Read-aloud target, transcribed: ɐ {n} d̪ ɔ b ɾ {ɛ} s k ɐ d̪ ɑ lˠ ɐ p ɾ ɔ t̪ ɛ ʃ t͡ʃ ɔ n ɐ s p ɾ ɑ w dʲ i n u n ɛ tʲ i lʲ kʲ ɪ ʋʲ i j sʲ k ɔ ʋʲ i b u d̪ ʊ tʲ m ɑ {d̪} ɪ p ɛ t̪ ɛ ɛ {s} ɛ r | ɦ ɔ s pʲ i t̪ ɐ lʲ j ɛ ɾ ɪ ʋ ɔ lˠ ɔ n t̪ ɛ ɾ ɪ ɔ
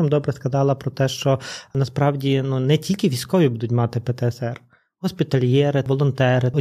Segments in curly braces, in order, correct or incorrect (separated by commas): incorrect, correct, incorrect, correct